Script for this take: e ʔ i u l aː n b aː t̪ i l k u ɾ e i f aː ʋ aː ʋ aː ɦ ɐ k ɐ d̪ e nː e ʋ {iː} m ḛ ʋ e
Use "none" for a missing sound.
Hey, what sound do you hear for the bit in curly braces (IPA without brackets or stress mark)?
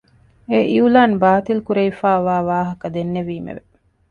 iː